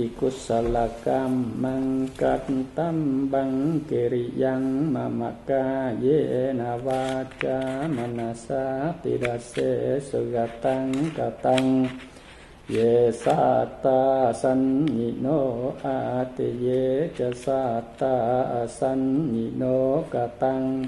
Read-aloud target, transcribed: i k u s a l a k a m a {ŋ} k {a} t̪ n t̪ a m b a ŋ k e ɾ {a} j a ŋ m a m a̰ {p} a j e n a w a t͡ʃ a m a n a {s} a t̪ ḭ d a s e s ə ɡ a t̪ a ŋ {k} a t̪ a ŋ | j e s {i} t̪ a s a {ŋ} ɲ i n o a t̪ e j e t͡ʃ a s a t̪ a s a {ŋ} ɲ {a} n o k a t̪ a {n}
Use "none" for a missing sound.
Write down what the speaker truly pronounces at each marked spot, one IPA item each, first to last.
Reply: ŋ, a, i, k, s, k, a, n, n, i, ŋ

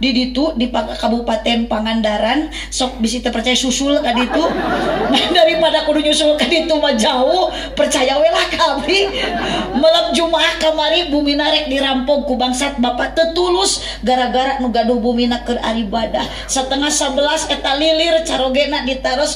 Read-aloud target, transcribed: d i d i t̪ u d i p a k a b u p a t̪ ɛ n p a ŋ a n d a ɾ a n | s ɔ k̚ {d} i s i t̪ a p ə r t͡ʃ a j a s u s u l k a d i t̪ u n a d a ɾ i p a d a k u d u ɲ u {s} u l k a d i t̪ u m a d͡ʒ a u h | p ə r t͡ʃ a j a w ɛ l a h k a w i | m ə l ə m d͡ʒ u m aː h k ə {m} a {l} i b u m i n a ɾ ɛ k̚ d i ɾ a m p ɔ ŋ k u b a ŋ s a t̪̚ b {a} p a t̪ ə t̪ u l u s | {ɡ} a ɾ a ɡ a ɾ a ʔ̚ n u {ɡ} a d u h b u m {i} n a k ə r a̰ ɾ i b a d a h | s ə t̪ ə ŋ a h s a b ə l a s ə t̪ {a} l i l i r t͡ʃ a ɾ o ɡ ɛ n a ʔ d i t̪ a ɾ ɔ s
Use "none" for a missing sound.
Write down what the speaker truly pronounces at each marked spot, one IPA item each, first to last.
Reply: b, s, m, ɾ, a, ɡ, ɡ, i, a

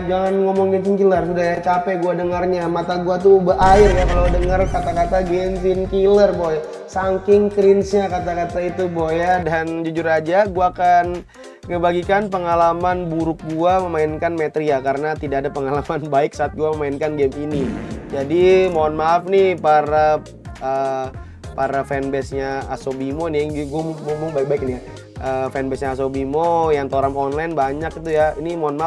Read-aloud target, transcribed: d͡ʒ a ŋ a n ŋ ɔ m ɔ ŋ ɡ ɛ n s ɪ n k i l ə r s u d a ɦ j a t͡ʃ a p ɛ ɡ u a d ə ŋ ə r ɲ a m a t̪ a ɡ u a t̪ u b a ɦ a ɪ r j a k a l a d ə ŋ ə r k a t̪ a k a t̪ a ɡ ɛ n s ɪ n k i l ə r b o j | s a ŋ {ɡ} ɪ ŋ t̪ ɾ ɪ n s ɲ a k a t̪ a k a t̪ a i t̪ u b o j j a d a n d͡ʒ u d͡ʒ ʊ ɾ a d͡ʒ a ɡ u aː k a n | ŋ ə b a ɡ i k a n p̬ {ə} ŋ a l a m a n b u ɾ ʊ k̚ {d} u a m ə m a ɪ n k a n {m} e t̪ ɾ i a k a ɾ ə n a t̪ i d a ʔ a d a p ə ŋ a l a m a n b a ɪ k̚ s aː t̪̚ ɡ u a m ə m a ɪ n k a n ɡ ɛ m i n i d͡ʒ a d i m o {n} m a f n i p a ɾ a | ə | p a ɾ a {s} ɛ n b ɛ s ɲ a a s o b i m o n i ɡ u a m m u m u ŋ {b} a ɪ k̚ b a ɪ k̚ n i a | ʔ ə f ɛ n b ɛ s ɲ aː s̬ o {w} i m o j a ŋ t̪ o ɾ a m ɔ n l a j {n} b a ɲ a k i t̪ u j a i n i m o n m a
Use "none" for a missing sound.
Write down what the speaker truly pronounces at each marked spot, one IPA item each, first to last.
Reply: k, ə, ɡ, m, n, f, b, b, n

